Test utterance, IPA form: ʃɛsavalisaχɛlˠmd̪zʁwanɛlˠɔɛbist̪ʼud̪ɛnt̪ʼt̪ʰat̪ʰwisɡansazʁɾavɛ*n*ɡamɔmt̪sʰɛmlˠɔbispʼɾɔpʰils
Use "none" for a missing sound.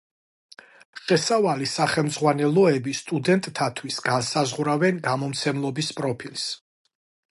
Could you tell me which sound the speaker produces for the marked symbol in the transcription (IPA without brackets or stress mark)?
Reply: n